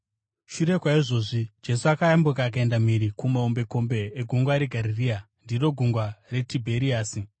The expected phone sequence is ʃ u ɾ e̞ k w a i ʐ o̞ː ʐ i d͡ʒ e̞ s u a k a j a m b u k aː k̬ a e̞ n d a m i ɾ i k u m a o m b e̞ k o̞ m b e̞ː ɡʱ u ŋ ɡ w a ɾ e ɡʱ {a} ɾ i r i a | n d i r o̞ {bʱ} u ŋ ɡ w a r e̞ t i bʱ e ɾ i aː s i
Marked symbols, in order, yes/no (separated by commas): yes, no